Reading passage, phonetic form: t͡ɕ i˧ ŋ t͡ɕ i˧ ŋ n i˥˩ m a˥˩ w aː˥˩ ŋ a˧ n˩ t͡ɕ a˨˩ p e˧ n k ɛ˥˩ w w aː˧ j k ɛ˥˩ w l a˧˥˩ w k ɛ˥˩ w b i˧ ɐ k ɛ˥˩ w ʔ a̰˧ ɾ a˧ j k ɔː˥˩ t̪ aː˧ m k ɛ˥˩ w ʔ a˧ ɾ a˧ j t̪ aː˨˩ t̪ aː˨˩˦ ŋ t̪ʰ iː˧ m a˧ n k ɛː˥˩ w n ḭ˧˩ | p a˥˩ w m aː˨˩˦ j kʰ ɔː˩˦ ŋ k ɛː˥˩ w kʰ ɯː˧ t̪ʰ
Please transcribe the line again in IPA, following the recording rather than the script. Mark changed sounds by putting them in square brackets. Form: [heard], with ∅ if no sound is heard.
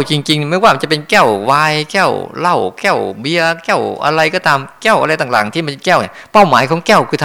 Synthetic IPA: t͡ɕ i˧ ŋ t͡ɕ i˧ ŋ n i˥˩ m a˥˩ w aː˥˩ [m] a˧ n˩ t͡ɕ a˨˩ p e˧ n k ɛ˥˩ w w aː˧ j k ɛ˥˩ w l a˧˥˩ w k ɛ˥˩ w b i˧ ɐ k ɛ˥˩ w ʔ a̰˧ ɾ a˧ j k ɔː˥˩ t̪ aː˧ m k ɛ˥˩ w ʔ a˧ ɾ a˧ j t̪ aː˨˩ t̪ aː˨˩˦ ŋ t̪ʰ [iː˥˩] m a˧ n k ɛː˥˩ w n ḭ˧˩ | p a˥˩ w m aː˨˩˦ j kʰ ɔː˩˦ ŋ k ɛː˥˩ w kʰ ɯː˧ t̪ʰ